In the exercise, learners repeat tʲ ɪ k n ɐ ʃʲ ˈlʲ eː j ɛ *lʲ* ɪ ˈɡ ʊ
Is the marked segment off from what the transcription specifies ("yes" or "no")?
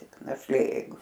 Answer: yes